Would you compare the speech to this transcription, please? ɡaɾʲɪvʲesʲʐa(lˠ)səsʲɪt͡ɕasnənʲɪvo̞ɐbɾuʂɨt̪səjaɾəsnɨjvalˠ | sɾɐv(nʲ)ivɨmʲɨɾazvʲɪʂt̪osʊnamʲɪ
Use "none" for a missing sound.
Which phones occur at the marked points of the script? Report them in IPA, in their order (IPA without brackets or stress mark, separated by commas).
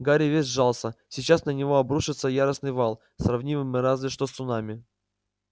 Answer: lˠ, nʲ